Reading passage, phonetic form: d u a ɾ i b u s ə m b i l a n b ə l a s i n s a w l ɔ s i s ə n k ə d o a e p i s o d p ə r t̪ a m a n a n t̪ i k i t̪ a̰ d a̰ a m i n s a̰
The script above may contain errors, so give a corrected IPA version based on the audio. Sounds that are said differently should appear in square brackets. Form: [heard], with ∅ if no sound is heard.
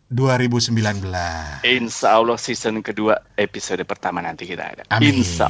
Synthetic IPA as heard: d u a ɾ i b u s ə m b i l a n b ə l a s i n s a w l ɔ s i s ə n k ə d [u] a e p i s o d p ə r t̪ a m a n a n t̪ i k i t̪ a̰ d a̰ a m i n s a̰